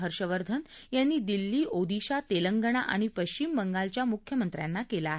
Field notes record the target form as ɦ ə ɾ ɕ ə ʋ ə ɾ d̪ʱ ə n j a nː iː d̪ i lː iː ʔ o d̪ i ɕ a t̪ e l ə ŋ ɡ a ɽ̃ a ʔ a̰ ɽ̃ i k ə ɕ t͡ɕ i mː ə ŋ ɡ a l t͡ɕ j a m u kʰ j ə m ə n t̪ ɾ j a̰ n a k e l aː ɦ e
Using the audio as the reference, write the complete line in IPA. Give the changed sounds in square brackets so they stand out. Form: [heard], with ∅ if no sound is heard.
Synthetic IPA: ɦ ə ɾ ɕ ə ʋ ə ɾ d̪ʱ ə n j a nː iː d̪ i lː iː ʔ o d̪ i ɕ a t̪ e l ə ŋ ɡ [ə] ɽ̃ a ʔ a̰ ɽ̃ i [p] ə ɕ t͡ɕ i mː ə ŋ ɡ a l t͡ɕ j a m u kʰ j ə m ə n t̪ ɾ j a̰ [nː] a k e l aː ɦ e